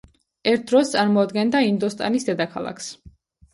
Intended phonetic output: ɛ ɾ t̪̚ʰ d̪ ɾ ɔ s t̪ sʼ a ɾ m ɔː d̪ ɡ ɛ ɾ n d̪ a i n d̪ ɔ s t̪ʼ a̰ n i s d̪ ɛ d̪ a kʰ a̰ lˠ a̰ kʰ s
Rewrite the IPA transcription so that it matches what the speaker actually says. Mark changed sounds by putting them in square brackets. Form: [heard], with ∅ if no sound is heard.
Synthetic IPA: ɛ ɾ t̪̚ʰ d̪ ɾ ɔ s t̪ sʼ a ɾ m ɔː d̪ ɡ ɛ [∅] n d̪ a i n d̪ ɔ s t̪ʼ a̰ n i s d̪ ɛ d̪ a kʰ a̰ lˠ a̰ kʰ s